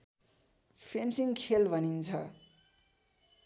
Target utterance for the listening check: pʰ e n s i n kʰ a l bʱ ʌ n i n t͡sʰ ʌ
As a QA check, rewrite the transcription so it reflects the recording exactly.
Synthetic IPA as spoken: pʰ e n s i ŋ kʰ e l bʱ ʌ n i n t͡sʰ ʌ